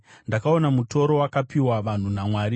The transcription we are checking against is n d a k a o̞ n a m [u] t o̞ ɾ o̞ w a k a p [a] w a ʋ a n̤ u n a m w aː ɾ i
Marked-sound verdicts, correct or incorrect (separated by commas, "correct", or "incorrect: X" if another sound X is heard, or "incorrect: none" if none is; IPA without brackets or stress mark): correct, incorrect: i